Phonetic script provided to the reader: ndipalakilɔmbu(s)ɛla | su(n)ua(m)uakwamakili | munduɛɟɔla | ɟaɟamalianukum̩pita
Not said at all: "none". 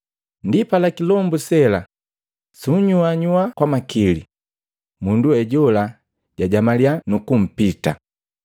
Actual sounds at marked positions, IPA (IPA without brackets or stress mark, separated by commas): s, ɲ, ɲ